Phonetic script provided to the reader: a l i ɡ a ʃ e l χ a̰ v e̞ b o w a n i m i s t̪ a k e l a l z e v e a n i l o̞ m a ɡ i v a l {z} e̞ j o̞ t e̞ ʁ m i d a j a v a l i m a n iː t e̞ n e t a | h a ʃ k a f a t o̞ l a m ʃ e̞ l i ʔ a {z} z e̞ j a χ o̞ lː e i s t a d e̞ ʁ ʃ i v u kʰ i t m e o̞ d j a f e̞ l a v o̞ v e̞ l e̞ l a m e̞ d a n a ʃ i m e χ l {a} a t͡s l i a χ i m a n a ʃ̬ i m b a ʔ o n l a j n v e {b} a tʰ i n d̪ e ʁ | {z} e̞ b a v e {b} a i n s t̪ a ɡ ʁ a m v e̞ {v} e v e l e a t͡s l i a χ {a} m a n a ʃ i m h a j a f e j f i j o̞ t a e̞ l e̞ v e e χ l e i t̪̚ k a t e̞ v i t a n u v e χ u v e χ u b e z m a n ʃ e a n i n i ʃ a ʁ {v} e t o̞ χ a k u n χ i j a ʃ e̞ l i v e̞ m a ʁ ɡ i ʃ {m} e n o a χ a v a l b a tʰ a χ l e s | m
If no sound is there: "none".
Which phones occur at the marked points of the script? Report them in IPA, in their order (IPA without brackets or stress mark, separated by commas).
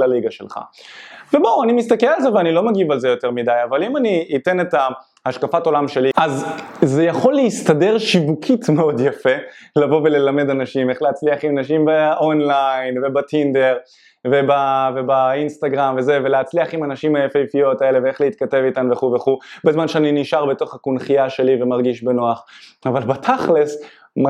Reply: z, z, e, b, v, b, z, i, b, b